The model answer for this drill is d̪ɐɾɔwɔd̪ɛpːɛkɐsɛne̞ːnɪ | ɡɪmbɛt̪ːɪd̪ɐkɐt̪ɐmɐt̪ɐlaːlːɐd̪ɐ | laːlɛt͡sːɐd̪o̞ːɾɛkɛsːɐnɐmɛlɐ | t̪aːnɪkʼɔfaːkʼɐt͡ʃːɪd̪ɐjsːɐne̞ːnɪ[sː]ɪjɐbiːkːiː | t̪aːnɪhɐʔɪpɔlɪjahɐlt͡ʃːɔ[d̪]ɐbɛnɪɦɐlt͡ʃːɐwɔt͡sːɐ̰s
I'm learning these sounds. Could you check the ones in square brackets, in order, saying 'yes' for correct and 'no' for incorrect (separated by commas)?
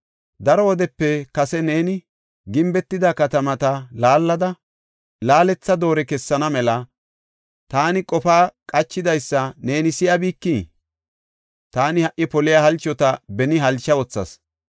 no, no